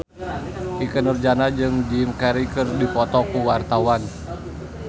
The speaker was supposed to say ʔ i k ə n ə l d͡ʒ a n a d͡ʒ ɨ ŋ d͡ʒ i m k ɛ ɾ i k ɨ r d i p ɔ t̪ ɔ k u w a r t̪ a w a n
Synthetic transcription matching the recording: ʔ i k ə n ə r d͡ʒ a n a d͡ʒ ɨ ŋ d͡ʒ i m k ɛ ɾ i k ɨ r d i p ɔ t̪ ɔ k u w a r t̪ a w a n